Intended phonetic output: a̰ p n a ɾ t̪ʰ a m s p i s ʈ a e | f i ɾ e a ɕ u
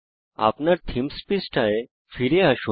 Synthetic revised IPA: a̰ p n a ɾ t̪ʰ i m s p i s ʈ a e | f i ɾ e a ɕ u